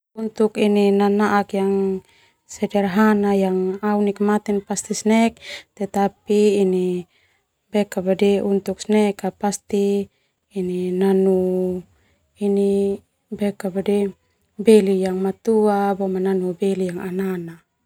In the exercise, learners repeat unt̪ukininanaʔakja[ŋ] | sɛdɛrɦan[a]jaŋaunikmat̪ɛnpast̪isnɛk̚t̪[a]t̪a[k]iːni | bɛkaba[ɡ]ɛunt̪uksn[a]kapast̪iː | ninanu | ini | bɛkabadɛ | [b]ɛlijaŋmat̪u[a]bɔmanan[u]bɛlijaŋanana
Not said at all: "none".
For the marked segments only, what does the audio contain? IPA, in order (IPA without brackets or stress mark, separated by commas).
ŋ, a, ɛ, p, d, ɛ, b, a, u